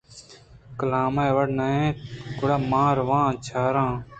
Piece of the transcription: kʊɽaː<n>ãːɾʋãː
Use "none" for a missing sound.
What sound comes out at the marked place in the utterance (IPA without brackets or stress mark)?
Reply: m